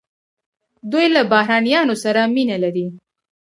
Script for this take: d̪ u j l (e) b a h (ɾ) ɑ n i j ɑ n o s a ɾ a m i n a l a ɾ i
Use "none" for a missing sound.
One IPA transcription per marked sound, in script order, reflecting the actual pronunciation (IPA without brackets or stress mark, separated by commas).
a, ɾ